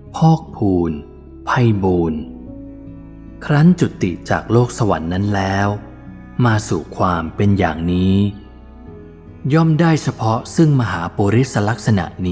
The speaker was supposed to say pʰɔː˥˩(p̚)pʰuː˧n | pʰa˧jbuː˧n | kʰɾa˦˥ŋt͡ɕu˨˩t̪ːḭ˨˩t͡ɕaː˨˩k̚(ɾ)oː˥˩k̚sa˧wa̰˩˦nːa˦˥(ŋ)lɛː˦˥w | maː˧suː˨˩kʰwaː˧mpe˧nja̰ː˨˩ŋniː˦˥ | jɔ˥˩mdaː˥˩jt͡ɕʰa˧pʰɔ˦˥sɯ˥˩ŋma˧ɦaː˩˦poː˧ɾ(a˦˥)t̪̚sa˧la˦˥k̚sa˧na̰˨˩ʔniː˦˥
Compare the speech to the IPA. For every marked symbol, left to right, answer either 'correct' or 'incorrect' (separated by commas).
incorrect, incorrect, incorrect, incorrect